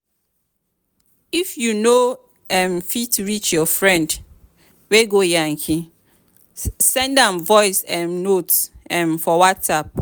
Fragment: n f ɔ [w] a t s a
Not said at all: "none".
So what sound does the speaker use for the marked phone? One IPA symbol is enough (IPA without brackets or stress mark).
w